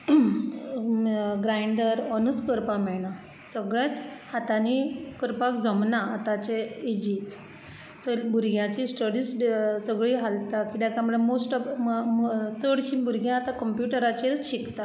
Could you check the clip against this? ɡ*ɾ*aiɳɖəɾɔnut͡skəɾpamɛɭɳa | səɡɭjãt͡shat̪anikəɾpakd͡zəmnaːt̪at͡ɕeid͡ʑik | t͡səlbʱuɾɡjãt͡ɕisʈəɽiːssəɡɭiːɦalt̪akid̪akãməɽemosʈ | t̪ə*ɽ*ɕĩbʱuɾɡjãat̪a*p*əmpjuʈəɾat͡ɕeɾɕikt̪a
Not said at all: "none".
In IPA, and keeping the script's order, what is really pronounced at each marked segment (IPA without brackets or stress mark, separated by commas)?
ɾ, ɽ, k